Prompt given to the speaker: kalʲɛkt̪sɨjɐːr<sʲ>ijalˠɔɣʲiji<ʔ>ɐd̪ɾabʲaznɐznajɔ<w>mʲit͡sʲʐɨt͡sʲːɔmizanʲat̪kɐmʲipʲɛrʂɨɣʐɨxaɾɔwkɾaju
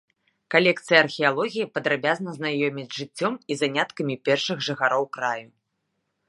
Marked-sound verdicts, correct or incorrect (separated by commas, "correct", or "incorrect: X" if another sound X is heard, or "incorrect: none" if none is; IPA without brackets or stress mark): incorrect: xʲ, incorrect: p, incorrect: none